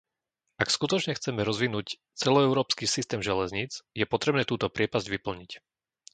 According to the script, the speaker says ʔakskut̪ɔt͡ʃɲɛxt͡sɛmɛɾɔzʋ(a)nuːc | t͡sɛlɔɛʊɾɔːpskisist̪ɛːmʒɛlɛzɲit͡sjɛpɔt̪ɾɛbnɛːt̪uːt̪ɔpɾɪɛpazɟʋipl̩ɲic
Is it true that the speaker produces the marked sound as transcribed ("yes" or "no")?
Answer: no